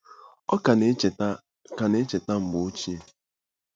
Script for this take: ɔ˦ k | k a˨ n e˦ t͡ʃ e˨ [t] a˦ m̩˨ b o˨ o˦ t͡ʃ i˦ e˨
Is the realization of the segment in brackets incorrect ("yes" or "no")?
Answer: no